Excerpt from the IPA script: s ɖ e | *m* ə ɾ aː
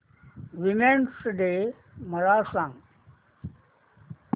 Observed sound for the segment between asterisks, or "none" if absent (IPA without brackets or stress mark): m